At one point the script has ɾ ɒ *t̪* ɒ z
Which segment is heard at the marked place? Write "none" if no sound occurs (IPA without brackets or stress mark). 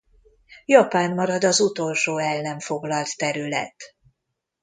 d̪